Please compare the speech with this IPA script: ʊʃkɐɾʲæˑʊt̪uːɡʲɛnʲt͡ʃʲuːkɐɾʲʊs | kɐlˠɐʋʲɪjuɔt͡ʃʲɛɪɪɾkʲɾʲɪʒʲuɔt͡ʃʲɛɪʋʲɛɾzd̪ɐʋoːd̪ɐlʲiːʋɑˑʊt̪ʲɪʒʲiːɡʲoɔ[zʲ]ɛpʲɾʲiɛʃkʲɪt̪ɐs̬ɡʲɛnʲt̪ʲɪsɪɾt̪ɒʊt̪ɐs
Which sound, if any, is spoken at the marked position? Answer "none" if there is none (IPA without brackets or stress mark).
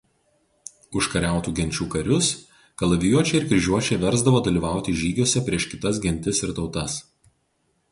sʲ